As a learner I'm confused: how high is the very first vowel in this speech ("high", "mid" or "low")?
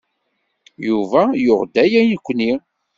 high